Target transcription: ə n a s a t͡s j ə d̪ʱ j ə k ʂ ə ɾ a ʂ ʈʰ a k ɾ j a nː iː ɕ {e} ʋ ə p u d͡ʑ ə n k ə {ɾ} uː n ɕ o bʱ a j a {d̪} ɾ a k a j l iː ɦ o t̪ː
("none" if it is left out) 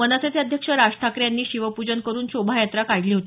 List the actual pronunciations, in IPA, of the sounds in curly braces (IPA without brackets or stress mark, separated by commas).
i, ɾ, t̪